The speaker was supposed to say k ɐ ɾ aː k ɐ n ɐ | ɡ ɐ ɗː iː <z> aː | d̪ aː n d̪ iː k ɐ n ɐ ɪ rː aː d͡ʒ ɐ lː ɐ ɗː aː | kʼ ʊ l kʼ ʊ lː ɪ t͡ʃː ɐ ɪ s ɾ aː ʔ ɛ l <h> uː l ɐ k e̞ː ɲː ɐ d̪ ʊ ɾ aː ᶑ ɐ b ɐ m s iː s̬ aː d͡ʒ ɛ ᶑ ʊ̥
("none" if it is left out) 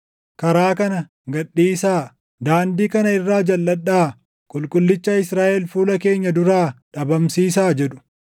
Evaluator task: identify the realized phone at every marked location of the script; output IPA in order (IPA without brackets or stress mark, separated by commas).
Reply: s, f